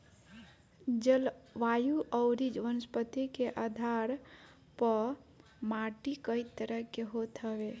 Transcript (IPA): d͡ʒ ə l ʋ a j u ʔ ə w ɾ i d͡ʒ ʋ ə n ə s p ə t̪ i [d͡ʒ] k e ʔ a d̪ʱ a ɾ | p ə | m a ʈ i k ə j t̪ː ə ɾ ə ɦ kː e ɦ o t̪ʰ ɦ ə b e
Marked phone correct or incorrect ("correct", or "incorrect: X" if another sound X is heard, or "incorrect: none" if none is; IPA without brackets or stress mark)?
incorrect: none